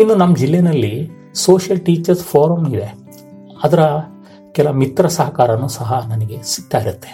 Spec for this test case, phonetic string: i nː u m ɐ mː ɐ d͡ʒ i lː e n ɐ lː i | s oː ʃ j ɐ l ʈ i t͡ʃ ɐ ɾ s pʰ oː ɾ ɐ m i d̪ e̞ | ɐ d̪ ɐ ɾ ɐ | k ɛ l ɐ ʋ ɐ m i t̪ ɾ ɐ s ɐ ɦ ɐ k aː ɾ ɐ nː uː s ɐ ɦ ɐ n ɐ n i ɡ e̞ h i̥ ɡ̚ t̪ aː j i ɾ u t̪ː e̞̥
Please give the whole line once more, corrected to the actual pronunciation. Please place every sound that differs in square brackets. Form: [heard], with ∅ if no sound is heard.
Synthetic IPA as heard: i nː u [n] ɐ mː ɐ d͡ʒ i lː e n ɐ lː i | s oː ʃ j ɐ l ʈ [iː] t͡ʃ ɐ ɾ s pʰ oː ɾ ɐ m i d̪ e̞ | ɐ d̪ ɐ ɾ ɐ | k ɛ l ɐ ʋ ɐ m i t̪ ɾ ɐ s ɐ ɦ ɐ k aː ɾ ɐ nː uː s ɐ ɦ ɐ n ɐ n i ɡ e̞ [s] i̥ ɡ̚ t̪ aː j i ɾ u t̪ː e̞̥